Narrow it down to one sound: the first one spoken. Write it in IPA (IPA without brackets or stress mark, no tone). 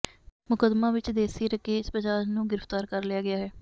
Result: m